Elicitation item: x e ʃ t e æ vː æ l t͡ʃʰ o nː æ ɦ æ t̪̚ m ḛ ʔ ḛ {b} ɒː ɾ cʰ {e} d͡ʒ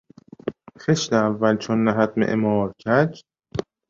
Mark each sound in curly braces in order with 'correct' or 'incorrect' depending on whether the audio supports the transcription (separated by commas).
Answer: incorrect, incorrect